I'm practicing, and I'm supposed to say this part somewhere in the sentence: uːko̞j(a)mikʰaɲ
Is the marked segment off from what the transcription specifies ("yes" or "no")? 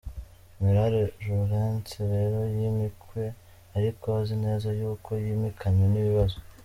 yes